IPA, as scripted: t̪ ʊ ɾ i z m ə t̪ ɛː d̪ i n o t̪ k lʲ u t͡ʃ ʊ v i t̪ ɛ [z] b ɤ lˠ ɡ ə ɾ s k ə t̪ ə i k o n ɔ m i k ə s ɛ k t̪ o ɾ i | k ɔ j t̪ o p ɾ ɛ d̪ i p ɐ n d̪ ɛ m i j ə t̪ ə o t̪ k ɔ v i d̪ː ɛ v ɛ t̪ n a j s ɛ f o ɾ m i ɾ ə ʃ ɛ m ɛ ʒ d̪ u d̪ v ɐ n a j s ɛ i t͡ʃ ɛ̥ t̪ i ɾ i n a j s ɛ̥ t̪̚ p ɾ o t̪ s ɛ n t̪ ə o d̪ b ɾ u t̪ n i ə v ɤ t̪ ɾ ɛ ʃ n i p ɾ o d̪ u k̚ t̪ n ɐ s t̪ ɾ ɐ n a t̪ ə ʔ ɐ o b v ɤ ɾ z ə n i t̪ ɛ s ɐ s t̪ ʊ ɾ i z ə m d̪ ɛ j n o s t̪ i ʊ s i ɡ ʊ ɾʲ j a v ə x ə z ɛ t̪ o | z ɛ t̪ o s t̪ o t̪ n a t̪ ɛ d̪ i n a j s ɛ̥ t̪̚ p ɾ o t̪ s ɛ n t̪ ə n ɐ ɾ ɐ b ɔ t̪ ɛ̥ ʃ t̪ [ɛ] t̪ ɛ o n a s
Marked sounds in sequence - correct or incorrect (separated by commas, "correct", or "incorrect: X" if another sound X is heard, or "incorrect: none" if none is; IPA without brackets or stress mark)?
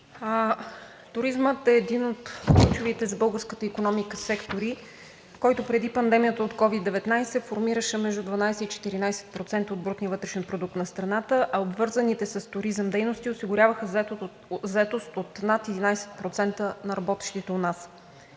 correct, incorrect: i